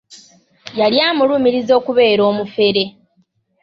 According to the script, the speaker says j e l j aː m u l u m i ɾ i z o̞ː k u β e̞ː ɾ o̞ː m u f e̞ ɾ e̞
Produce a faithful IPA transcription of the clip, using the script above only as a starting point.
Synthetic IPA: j a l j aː m u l u m i ɾ i z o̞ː k u β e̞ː ɾ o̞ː m u f e̞ ɾ e̞